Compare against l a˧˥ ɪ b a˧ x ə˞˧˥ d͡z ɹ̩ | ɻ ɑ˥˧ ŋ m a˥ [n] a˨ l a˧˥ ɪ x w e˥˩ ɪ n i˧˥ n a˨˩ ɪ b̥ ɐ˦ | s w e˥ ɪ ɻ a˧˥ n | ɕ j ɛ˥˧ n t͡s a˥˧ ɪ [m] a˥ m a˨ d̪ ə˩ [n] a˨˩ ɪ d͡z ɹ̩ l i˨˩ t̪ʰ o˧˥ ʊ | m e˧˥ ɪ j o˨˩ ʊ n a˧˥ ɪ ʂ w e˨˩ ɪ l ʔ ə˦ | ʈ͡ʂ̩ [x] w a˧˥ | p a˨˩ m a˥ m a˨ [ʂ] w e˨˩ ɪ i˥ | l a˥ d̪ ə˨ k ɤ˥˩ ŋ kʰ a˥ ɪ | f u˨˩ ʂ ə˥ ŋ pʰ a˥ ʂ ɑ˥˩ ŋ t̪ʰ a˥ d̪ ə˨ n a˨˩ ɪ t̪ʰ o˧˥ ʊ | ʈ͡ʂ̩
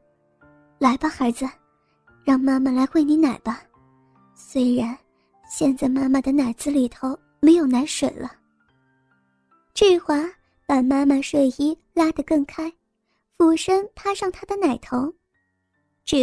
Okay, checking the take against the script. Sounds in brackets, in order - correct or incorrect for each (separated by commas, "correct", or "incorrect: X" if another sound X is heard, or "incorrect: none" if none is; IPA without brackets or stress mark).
incorrect: m, correct, correct, correct, correct